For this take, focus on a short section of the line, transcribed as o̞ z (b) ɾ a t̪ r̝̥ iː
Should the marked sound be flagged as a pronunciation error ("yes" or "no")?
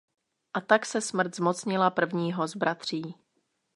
no